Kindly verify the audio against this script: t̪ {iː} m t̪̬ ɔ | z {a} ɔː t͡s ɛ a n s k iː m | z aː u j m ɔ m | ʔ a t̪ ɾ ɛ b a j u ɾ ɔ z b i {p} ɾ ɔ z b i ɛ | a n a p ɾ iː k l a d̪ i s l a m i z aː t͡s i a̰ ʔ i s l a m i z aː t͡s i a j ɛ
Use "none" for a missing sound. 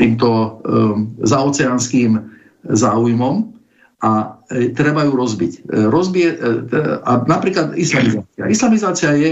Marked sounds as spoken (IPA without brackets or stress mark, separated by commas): iː, a, c